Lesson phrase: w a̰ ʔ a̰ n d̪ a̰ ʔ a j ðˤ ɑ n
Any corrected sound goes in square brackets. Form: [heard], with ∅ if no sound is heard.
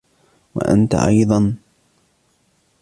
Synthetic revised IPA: w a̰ ʔ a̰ n [t̪] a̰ ʔ [ɑ] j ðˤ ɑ n